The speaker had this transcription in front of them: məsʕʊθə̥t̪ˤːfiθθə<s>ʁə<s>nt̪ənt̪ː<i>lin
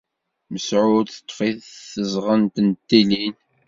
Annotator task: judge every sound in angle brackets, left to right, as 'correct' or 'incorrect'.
incorrect: z, incorrect: none, correct

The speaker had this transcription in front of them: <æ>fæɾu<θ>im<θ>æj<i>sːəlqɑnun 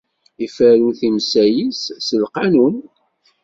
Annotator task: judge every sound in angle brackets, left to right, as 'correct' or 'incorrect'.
incorrect: i, correct, incorrect: s, correct

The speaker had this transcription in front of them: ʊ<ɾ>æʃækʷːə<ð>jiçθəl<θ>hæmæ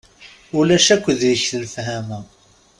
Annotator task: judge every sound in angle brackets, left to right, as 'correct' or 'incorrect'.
incorrect: l, correct, incorrect: f

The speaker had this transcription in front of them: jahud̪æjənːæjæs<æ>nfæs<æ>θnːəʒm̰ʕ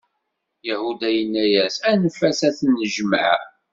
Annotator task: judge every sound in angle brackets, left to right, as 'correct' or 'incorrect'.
correct, correct

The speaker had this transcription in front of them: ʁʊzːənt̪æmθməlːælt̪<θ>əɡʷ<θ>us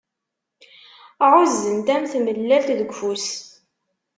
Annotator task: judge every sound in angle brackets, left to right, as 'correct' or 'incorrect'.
incorrect: ð, incorrect: f

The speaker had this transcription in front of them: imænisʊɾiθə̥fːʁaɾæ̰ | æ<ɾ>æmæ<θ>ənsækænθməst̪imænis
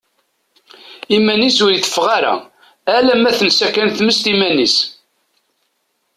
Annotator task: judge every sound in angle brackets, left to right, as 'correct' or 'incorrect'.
incorrect: l, correct

